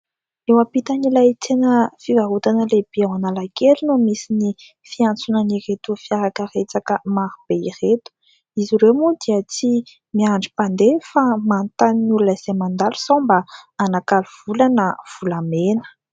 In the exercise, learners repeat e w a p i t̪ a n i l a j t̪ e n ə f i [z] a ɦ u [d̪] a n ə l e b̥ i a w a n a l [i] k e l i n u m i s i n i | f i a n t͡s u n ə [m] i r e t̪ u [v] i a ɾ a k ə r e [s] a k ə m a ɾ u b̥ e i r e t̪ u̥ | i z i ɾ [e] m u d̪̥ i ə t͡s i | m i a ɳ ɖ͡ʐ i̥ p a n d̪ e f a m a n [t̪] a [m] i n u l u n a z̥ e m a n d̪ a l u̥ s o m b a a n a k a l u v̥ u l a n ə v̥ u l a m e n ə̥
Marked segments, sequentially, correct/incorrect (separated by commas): incorrect, incorrect, incorrect, incorrect, incorrect, incorrect, correct, correct, incorrect